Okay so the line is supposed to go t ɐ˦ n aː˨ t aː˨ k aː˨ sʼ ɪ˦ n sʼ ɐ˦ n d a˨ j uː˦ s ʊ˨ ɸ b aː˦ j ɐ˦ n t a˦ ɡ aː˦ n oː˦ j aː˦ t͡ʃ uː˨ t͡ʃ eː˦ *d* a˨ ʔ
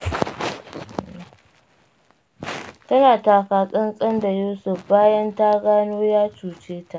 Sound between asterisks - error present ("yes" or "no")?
yes